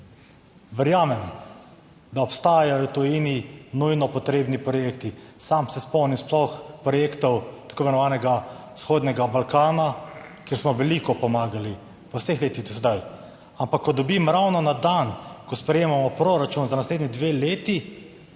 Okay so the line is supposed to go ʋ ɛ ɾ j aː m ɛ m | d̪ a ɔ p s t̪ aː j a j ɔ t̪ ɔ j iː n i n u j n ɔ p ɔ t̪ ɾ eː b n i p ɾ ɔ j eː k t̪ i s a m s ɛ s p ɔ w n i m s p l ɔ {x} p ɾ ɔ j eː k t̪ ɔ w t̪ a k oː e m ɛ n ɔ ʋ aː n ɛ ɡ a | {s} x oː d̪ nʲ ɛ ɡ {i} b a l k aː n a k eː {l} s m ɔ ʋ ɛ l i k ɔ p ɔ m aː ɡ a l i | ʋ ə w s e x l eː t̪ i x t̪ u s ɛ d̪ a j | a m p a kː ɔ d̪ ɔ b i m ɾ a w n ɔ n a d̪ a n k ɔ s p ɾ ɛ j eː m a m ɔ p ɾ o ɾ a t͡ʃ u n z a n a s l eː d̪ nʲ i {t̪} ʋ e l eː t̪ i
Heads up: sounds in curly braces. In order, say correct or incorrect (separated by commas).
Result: correct, correct, incorrect, incorrect, incorrect